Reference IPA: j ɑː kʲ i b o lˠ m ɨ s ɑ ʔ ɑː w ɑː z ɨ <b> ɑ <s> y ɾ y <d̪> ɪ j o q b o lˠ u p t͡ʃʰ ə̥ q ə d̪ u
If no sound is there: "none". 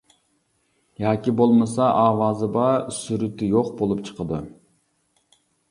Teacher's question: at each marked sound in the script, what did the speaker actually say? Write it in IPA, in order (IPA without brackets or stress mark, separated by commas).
b, s, t̪